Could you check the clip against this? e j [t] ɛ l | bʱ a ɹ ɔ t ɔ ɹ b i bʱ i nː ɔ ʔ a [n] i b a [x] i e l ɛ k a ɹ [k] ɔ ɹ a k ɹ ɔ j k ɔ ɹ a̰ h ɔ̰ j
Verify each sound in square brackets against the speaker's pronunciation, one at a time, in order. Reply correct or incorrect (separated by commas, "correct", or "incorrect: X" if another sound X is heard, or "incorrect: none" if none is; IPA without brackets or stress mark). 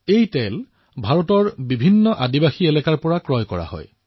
correct, incorrect: d, correct, incorrect: p